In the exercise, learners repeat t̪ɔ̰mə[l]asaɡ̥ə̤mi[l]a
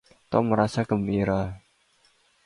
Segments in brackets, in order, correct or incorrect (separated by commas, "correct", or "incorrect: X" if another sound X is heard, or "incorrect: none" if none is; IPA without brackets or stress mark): incorrect: ɾ, incorrect: ɾ